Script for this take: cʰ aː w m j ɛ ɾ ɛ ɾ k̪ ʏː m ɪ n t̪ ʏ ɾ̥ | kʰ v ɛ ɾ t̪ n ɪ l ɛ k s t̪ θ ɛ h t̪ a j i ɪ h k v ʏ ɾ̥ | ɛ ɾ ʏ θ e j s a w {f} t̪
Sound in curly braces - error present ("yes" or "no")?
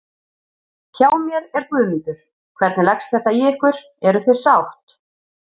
yes